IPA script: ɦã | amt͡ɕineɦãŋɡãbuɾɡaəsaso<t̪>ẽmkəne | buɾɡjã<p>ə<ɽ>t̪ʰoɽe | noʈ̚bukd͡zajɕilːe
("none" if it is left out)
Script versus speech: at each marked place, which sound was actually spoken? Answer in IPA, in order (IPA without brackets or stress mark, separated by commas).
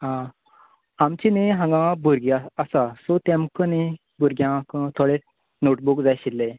t̪, k, none